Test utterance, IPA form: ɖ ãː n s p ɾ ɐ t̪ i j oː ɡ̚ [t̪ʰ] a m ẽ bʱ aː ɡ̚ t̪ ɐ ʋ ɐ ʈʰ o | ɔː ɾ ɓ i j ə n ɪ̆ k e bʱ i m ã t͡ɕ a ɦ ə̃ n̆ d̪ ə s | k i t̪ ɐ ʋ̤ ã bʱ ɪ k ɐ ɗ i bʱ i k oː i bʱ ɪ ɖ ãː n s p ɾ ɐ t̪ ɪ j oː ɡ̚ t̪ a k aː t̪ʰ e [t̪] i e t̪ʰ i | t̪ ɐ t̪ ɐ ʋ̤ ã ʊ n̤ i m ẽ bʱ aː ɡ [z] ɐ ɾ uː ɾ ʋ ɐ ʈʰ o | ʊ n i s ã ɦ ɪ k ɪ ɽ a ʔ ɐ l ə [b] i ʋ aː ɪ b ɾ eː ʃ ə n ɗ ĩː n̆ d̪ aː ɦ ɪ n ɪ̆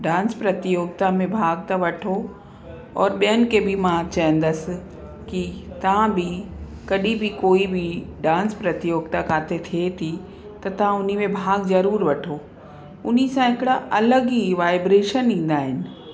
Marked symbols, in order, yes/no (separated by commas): no, no, yes, no